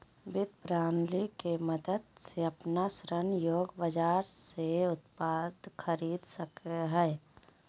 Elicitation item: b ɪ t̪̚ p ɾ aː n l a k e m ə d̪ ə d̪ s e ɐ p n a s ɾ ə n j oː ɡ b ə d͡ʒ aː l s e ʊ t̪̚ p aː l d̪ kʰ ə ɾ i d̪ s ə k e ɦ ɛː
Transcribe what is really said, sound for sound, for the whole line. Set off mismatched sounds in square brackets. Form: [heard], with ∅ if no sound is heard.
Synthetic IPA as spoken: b ɪ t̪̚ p ɾ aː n l [i] k e m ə d̪ ə d̪ s e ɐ p n a s ɾ ə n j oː ɡ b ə d͡ʒ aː [ɾ] s e ʊ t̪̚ p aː [∅] d̪ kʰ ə ɾ [iː] d̪ s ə k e ɦ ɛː